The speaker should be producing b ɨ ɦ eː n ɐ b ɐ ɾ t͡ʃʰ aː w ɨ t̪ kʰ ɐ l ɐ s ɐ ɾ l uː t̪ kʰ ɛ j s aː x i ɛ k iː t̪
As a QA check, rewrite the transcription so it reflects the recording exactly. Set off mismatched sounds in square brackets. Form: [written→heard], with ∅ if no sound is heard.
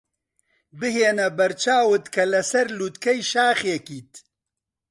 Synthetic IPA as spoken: b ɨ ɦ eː n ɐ b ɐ ɾ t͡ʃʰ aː w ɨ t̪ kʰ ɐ l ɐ s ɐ ɾ l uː t̪ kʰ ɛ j [s→ʃ] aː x [i→j] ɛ k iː t̪